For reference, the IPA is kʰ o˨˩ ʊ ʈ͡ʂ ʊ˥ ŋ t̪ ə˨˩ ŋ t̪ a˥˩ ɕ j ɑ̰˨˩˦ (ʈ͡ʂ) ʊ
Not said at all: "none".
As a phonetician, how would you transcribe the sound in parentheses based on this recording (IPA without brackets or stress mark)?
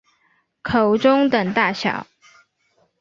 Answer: none